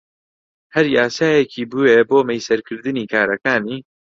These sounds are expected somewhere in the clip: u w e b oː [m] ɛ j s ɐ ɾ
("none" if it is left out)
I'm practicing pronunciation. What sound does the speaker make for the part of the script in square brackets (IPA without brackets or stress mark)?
m